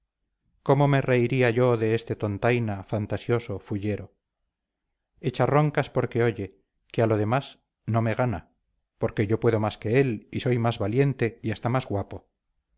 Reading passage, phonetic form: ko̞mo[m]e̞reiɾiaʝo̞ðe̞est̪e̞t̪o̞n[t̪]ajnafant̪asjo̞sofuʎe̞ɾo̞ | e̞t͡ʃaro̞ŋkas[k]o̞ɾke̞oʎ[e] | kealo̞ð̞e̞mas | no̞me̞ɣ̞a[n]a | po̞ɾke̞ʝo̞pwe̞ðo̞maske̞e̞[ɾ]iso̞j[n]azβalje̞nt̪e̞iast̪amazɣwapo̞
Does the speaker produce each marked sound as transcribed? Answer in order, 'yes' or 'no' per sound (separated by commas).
yes, yes, no, yes, yes, no, no